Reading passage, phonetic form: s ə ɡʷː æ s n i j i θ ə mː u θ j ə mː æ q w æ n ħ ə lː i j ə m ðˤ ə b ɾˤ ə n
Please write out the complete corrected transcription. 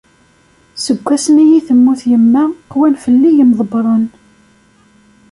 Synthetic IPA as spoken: s ə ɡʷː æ s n i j i θ ə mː u θ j ə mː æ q w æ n f ə lː i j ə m ðˤ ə b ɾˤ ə n